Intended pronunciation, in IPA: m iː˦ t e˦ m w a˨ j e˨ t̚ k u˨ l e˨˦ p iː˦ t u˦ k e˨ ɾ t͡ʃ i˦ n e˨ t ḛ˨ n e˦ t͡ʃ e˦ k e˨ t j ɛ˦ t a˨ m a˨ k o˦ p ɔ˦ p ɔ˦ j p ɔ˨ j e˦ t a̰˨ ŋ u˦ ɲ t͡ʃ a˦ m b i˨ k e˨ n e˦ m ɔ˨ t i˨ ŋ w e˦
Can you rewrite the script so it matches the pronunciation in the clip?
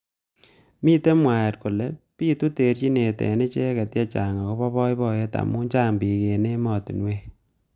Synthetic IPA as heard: m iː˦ t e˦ m w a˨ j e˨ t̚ k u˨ l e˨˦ p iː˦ t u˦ t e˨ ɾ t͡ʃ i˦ n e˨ t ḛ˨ n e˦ t͡ʃ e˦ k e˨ t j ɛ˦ t͡ʃ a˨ ŋ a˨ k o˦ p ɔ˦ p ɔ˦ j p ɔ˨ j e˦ t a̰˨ m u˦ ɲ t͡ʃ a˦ m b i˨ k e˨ n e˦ m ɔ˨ t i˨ n w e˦